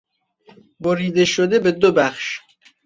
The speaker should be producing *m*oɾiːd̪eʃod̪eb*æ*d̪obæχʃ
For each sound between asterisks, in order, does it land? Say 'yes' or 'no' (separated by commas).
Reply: no, no